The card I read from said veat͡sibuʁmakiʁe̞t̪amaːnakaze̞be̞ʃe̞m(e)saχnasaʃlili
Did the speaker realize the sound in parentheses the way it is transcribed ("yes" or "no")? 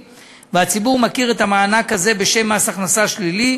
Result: no